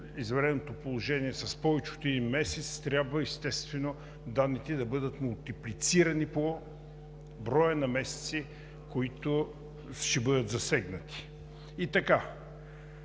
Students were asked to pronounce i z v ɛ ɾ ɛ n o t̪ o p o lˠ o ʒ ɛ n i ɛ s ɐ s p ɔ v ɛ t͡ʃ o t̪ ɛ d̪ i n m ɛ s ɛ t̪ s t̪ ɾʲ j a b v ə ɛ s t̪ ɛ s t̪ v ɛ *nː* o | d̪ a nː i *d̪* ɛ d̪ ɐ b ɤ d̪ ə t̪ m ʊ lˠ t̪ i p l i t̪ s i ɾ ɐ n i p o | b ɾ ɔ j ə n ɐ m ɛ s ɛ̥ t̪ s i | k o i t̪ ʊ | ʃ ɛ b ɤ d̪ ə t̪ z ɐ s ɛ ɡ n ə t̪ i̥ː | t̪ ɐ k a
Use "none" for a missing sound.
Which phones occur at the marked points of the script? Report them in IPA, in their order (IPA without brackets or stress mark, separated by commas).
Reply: n, t̪